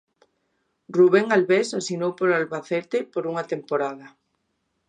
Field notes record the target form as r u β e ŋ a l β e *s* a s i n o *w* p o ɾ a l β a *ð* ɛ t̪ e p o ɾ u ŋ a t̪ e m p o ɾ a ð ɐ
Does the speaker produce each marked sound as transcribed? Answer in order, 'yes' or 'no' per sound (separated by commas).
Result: yes, yes, no